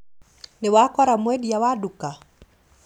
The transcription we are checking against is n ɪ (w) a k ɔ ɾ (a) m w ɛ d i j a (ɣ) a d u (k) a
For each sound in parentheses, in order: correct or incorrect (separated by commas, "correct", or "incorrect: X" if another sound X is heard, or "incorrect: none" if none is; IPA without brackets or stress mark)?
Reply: correct, correct, incorrect: w, correct